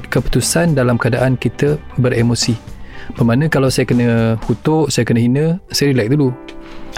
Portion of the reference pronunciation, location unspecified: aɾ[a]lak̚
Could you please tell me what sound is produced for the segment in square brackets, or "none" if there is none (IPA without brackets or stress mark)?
i